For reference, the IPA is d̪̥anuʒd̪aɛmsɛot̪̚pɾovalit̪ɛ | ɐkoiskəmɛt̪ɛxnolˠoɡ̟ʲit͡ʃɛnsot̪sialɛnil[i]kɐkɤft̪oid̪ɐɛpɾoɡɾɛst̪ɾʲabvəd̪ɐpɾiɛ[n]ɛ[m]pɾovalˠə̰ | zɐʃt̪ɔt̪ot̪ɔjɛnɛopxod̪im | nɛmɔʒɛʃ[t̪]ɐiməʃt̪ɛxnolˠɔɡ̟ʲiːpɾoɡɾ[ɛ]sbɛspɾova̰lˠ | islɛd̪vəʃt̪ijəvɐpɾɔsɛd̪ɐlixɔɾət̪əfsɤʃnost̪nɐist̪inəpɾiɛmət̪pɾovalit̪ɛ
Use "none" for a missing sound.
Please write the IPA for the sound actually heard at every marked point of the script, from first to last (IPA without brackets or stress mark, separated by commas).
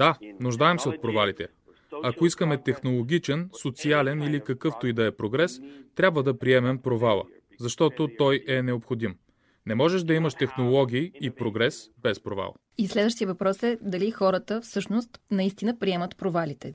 i, m, m, d̪, ɛ